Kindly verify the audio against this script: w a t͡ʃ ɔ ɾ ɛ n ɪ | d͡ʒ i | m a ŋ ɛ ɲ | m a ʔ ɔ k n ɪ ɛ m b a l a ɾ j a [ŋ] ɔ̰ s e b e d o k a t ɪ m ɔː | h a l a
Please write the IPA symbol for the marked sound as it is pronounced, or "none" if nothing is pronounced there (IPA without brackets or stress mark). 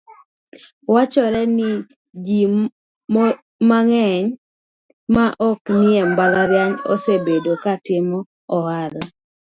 ɲ